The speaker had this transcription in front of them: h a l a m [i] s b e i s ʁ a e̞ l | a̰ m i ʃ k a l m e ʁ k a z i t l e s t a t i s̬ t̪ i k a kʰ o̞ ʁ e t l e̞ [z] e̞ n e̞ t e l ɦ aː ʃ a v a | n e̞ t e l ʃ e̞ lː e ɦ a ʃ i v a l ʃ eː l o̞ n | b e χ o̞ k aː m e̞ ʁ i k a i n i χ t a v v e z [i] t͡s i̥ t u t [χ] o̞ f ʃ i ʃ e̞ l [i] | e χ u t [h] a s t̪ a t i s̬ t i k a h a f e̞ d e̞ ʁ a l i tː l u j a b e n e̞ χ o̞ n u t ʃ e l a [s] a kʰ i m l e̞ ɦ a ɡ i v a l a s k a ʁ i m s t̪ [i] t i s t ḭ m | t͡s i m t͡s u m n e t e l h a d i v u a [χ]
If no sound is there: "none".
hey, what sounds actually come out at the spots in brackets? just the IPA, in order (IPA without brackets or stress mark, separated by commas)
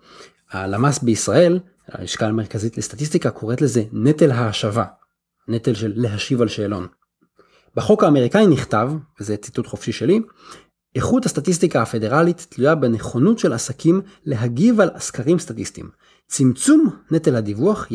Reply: a, z, e, χ, i, h, s, a, χ